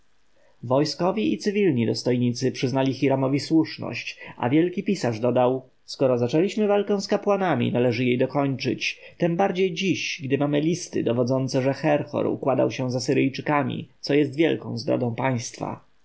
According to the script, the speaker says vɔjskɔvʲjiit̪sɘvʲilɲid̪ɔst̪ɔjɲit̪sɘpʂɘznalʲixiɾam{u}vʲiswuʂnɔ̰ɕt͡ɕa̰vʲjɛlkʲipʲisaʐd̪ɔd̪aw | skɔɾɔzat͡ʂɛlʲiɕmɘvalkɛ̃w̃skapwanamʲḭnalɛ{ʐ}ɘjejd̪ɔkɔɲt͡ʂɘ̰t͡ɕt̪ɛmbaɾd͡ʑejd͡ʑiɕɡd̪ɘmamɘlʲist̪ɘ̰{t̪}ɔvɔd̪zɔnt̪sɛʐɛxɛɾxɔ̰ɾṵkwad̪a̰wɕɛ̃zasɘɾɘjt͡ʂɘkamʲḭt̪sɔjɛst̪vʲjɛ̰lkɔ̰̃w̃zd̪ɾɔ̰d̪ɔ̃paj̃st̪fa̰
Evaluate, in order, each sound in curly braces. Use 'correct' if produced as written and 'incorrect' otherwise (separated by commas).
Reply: incorrect, correct, incorrect